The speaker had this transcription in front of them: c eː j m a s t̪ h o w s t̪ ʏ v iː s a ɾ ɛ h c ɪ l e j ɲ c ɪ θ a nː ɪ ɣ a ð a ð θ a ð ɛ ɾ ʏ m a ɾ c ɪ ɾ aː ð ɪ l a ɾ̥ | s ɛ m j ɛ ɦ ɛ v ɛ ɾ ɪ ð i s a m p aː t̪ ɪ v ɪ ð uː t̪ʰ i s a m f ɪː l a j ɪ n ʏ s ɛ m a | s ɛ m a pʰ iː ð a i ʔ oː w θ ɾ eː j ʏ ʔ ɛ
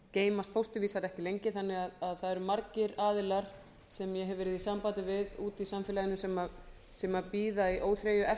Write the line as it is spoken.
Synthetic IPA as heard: c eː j m a s t̪ f o w s t̪ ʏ v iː s a ɾ ɛ h c ɪ l e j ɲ c ɪ θ a nː ɪ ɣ a ð a ð θ a ð ɛ ɾ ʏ m a ɾ c ɪ ɾ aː ð ɪ l a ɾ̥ | s ɛ m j ɛ ɦ ɛ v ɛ ɾ ɪ ð i s a m p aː t̪ ɪ v ɪ ð uː t̪ i s a m f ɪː l a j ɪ n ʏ s ɛ m a | s ɛ m a p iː ð a i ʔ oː w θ ɾ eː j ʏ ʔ ɛ